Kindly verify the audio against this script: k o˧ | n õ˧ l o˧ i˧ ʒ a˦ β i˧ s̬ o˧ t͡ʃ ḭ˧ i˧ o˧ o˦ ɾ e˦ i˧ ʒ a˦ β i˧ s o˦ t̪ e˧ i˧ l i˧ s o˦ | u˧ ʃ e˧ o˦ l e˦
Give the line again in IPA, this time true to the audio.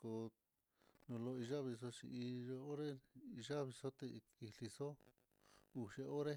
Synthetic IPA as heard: k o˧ | n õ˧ l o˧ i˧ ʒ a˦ β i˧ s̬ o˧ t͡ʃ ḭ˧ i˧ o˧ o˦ ɾ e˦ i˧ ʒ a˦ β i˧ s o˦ t̪ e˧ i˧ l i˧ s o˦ | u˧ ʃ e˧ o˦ ɾ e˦